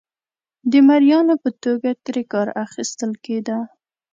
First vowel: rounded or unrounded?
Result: unrounded